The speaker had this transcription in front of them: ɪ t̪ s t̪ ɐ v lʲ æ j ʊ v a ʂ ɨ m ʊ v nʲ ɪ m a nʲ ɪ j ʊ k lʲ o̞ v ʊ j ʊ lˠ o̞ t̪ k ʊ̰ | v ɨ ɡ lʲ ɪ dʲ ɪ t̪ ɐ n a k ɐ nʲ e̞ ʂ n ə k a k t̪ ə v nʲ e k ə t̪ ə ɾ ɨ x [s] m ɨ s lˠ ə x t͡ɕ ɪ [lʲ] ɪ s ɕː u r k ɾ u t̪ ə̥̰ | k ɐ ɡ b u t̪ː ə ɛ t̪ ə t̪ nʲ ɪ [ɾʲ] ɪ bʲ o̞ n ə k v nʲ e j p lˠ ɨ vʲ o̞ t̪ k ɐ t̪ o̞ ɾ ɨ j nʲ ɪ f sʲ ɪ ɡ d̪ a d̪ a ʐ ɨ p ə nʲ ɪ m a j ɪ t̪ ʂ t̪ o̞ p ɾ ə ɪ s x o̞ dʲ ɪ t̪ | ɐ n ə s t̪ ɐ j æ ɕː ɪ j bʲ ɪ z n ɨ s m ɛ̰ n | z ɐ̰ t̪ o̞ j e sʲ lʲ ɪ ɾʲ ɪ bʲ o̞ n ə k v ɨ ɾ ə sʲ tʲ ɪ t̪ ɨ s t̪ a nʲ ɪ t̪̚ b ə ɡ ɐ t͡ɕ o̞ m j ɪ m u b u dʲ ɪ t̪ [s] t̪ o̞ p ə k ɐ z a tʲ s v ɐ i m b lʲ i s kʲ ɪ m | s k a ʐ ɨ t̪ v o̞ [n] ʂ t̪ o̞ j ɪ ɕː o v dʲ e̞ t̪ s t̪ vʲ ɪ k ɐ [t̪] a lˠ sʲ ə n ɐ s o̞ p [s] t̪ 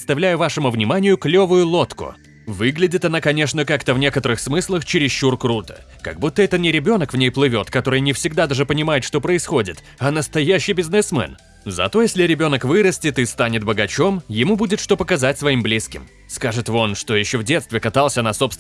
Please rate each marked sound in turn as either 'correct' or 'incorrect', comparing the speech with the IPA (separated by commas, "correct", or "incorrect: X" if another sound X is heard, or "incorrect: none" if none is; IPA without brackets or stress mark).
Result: correct, incorrect: ɾʲ, correct, incorrect: ʂ, correct, correct, correct